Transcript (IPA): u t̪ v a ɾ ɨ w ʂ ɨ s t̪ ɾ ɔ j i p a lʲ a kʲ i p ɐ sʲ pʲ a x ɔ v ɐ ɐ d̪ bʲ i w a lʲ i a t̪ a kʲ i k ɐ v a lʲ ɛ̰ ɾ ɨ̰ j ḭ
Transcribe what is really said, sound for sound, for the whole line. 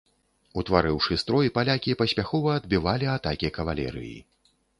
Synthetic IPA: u t̪ v a ɾ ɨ w ʂ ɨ s t̪ ɾ ɔ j i p a lʲ a kʲ i p ɐ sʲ pʲ a x ɔ v ɐ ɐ d̪ bʲ i v a lʲ i a t̪ a kʲ i k ɐ v a lʲ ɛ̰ ɾ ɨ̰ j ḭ